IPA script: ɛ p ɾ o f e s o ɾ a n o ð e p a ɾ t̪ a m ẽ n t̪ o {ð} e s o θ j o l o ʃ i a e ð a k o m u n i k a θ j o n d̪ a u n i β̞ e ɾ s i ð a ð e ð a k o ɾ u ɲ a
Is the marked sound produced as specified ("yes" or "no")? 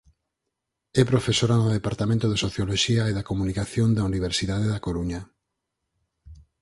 yes